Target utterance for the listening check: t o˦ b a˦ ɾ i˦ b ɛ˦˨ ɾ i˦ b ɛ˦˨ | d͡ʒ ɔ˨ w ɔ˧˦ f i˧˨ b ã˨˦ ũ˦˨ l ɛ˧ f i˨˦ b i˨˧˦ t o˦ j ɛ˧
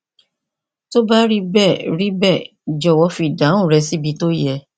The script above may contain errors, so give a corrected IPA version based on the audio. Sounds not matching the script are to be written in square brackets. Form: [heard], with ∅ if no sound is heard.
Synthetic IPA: t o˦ b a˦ ɾ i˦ b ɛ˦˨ ɾ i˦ b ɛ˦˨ | d͡ʒ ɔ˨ w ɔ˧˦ f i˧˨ [d] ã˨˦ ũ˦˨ [ɾ] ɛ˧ [s] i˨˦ b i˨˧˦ t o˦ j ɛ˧